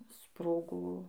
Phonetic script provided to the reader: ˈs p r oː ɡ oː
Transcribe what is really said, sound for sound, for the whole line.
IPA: ˈs p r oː ɡ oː